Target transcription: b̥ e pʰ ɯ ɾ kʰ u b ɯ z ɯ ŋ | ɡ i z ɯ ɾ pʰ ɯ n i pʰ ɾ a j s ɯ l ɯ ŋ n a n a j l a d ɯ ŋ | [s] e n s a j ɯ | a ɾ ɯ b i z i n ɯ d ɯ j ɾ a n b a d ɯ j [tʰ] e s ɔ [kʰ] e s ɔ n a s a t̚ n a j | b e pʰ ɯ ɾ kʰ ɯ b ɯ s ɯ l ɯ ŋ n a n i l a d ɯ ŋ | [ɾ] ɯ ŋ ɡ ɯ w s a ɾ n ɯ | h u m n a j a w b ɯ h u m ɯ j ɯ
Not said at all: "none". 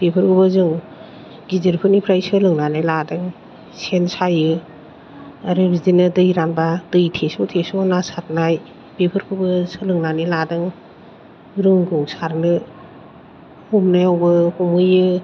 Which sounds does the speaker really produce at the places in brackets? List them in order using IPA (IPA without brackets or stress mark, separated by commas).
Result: s, tʰ, tʰ, ɾ